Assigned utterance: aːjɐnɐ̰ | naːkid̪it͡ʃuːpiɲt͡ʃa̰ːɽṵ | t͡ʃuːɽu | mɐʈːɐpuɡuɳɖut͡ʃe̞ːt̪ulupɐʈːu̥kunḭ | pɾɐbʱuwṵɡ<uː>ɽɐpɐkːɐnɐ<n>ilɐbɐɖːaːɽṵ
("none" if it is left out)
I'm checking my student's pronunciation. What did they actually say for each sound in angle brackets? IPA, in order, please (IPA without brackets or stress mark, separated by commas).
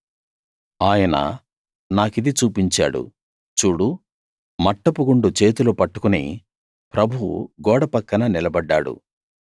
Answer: ɔː, n